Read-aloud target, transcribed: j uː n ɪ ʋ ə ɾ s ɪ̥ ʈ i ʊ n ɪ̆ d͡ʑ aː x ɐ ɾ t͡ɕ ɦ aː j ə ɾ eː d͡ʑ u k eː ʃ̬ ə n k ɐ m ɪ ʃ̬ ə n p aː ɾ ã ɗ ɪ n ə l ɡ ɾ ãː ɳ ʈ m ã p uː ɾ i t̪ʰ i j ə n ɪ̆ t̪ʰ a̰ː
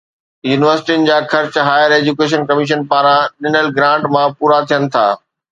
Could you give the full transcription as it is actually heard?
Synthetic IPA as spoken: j uː n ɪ ʋ ə ɾ s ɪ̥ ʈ i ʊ n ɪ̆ d͡ʑ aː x ɐ ɾ t͡ɕ ɦ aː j ə ɾ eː d͡ʑ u k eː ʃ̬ ə n k ɐ m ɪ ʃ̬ ə n p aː ɾ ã ɗ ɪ n ə l ɡ ɾ ãː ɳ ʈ m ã p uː ɾ a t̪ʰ i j ə n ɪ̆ t̪ʰ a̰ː